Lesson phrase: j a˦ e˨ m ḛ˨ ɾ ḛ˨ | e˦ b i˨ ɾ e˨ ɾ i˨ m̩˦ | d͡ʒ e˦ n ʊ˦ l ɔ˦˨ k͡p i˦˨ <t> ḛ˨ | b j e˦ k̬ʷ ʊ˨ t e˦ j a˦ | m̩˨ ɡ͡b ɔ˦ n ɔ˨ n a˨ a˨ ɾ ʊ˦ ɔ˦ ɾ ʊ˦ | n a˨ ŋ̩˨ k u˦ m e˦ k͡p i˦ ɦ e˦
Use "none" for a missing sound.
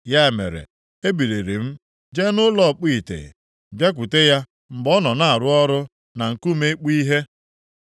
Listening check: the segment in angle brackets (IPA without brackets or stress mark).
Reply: t